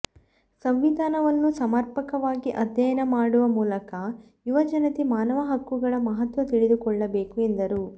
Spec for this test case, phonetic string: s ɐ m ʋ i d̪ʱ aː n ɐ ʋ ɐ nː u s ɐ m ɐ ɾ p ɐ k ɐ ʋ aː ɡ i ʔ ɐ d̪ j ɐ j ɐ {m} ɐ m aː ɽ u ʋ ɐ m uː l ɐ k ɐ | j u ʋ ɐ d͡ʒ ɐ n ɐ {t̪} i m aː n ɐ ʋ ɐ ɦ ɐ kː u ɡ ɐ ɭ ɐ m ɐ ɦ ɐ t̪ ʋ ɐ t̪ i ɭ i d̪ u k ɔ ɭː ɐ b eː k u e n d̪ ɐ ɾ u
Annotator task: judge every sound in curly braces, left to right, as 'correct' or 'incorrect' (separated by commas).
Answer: incorrect, correct